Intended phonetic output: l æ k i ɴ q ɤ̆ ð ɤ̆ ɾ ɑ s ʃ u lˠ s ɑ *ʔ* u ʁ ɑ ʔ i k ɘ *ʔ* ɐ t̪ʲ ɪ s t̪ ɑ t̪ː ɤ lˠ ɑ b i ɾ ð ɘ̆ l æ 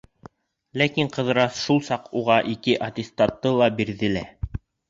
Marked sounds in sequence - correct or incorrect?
incorrect, correct

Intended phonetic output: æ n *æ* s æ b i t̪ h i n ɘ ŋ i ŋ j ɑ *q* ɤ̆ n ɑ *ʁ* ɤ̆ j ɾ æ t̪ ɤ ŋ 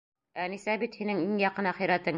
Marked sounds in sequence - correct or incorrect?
incorrect, correct, incorrect

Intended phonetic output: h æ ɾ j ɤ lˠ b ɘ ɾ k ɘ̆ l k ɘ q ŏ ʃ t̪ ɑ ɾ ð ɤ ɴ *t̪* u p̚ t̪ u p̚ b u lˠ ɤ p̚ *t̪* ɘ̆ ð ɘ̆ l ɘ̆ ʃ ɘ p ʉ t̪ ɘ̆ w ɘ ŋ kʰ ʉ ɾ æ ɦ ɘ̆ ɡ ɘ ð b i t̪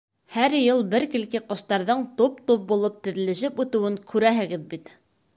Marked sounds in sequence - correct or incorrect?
correct, correct

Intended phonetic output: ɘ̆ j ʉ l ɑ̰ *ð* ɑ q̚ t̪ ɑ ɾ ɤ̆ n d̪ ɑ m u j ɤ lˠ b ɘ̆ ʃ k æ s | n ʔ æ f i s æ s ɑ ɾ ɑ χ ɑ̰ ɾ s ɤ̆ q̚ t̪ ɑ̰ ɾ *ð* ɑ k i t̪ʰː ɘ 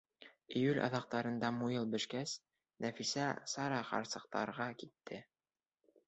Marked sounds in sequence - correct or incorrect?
correct, incorrect

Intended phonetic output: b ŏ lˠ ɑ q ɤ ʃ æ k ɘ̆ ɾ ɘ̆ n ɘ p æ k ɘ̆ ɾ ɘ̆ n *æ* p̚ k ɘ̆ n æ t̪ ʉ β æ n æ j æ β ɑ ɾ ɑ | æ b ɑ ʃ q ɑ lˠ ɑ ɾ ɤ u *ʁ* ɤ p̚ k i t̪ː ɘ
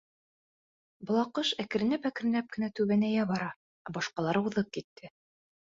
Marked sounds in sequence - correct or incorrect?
correct, incorrect

